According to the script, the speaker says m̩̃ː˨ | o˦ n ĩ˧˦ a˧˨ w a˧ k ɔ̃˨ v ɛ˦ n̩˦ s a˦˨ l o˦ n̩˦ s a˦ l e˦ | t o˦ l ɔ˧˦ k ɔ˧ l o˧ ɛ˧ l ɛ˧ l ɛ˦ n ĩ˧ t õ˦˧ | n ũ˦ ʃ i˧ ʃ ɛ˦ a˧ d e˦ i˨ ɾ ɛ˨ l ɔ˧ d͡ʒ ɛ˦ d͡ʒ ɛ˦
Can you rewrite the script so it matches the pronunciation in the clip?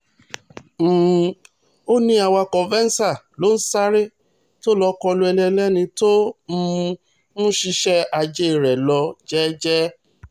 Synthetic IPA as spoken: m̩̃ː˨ | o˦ n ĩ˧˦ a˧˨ w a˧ k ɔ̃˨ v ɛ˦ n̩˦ s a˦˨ l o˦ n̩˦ s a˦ ɾ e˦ | t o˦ l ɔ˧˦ k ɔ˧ l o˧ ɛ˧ l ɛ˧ l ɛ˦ n ĩ˧ t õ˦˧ | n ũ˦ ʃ i˧ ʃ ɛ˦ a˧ d͡ʒ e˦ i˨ ɾ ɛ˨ l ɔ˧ d͡ʒ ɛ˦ d͡ʒ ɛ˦